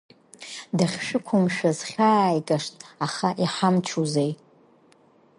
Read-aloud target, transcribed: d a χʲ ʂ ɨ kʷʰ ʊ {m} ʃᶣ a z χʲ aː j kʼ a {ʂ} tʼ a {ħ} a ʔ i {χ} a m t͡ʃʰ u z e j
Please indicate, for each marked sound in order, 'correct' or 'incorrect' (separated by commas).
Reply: correct, correct, incorrect, incorrect